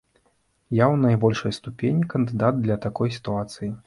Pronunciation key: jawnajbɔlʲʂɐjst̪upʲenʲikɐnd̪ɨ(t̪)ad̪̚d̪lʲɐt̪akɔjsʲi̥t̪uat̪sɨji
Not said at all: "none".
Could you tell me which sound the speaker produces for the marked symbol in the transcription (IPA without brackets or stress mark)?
d̪